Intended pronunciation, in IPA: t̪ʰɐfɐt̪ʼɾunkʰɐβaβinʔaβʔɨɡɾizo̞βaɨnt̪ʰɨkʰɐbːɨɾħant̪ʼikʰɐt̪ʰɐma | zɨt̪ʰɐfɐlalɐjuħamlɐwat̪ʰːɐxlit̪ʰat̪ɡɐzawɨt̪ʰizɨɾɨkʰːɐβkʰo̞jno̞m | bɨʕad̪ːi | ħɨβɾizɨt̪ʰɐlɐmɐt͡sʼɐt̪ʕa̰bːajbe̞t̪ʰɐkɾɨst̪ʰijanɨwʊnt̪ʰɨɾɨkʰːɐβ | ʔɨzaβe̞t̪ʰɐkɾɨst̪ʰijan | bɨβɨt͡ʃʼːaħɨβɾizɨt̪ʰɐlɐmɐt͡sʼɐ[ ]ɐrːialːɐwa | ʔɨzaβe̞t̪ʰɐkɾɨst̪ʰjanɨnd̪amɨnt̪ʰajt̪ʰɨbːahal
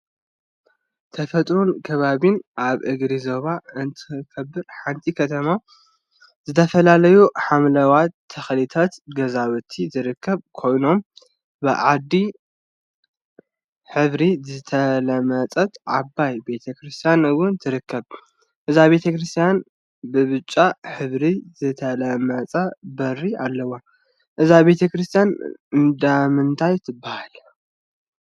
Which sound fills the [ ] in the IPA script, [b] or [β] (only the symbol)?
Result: b